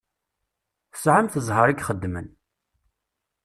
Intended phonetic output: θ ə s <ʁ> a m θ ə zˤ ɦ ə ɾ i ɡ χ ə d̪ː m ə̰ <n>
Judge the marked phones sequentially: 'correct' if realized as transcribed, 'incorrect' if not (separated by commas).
incorrect, correct